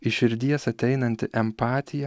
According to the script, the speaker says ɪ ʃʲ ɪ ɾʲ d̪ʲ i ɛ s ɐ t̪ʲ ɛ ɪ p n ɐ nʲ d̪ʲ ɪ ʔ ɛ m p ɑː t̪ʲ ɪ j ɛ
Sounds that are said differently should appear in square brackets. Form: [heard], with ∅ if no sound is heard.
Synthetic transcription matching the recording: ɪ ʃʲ ɪ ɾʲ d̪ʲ i ɛ s ɐ t̪ʲ ɛ ɪ [∅] n ɐ nʲ [t̪ʲ] ɪ ʔ ɛ m p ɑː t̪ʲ ɪ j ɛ